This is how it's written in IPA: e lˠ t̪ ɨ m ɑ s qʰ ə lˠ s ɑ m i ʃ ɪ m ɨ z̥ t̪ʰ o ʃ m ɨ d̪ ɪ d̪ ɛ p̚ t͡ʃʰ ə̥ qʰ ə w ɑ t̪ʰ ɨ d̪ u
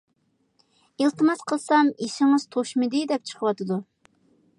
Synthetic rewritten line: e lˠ t̪ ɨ m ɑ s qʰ ə lˠ s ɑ m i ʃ ɪ ŋ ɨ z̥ t̪ʰ o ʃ m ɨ d̪ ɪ d̪ ɛ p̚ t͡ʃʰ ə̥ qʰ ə w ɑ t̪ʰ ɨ d̪ u